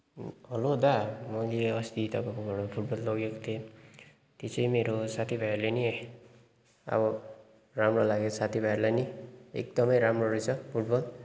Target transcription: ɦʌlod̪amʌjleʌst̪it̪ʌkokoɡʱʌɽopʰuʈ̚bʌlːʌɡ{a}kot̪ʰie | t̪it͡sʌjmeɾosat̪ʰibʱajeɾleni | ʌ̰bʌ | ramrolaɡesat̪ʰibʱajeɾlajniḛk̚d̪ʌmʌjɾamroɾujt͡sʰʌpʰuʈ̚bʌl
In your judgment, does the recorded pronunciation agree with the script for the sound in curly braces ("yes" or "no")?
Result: no